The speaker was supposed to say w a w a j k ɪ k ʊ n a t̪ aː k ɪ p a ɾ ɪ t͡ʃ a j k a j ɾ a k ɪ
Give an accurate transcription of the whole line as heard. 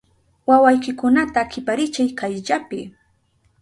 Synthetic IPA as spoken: w a w a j k ɪ k ʊ n a t̪ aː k ɪ p a ɾ ɪ t͡ʃ a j k a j ʎ a p ɪ

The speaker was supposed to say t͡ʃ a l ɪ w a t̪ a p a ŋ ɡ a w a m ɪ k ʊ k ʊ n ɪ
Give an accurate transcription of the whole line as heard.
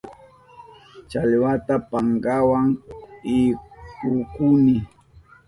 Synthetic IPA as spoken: t͡ʃ a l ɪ w a t̪ a p a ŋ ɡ a w a ŋ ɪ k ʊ k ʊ n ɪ

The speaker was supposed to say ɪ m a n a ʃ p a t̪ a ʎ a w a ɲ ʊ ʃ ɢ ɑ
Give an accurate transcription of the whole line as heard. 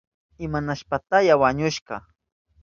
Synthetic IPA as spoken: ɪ m a n a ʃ p a t̪ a j a w a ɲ ʊ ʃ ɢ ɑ

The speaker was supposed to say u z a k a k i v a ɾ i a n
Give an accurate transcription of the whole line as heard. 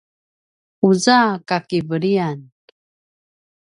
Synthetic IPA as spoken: u z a k a k i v ə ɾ i a n

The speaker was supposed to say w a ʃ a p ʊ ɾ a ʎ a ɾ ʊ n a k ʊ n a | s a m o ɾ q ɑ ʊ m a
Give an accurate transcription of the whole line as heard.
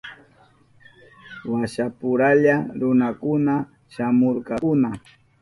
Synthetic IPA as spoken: w a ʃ a p ʊ ɾ a ʎ a ɾ ʊ n a k ʊ n a | ʃ a m o ɾ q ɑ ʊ n a

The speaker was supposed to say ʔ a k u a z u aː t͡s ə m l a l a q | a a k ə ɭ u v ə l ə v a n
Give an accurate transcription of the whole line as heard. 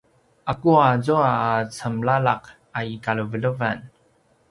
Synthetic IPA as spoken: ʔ a k u a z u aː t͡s ə m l a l a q | a i k a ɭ u v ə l ə v a n

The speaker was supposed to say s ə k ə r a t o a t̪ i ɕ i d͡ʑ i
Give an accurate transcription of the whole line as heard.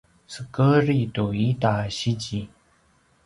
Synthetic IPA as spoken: s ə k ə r i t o i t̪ a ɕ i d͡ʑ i

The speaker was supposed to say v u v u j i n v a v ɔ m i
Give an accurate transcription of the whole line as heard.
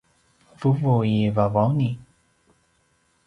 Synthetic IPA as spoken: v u v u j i v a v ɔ n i

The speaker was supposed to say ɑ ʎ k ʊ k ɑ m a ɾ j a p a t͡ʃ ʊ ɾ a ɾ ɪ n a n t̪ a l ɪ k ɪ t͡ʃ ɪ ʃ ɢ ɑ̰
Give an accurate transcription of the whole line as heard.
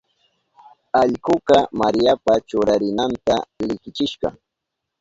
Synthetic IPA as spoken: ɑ ʎ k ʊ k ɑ m a ɾ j a p a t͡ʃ ʊ ɾ a ɾ ɪ n a n t̪ a l ɪ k ɪ t͡ʃ ɪ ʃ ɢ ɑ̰

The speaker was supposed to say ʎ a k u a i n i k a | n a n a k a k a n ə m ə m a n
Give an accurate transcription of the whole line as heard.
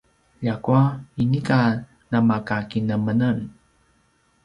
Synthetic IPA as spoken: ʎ a k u a i n i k a | n a m a k a k i n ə m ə n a n

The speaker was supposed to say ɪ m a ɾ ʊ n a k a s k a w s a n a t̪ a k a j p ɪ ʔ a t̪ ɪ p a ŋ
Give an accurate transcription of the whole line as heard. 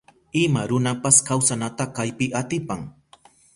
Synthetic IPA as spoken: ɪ m a ɾ ʊ n a p a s k a w s a n a t̪ a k a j p ɪ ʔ a t̪ ɪ p a ŋ

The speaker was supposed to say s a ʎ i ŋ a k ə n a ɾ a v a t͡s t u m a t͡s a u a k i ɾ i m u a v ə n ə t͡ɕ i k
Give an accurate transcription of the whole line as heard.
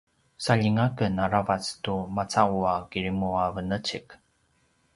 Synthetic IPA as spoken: s a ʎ i ŋ a k ə n a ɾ a v a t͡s t u m a t͡s a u a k i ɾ i m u a v ə n ə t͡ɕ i k

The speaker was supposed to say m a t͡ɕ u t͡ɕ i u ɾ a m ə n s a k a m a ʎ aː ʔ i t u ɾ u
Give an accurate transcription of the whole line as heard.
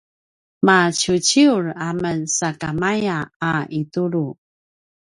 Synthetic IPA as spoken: m a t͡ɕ u t͡ɕ i u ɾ a m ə n s a k a m a j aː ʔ i t u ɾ u

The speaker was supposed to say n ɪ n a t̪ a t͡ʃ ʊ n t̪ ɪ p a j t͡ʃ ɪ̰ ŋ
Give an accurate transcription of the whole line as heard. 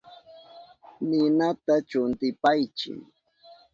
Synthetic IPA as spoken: n ɪ n a t̪ a t͡ʃ ʊ n t̪ ɪ p a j t͡ʃ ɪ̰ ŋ

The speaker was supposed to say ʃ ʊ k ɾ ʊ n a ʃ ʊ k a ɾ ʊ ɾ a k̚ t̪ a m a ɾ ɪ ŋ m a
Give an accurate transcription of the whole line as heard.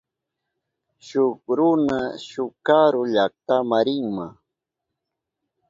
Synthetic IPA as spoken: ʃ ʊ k ɾ ʊ n a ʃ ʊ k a ɾ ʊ ʎ a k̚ t̪ a m a ɾ ɪ ŋ m a

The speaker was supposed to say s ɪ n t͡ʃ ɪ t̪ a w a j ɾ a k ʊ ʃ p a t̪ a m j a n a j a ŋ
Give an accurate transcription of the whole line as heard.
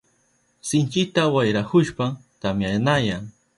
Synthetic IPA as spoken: s ɪ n t͡ʃ ɪ t̪ a w a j ɾ a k ʊ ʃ p a t̪ a m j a n a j a ŋ

